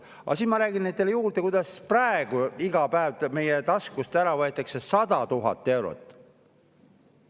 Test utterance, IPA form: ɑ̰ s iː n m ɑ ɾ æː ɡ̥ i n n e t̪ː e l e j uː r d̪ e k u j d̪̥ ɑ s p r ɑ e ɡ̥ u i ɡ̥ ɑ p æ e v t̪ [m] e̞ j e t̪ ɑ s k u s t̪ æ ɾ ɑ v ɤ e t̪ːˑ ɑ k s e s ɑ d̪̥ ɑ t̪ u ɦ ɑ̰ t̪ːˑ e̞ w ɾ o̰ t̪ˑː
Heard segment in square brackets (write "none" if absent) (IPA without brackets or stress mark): m